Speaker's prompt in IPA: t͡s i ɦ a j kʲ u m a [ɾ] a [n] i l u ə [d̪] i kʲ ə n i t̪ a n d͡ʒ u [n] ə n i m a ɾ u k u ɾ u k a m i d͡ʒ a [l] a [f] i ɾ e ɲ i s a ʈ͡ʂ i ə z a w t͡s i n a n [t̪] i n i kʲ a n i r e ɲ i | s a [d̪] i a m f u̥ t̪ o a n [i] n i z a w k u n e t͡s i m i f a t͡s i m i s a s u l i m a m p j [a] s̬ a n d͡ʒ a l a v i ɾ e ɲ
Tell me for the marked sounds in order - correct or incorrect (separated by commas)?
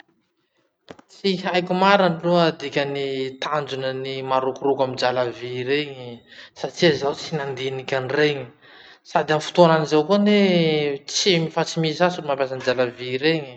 correct, correct, correct, correct, correct, incorrect, incorrect, correct, incorrect, correct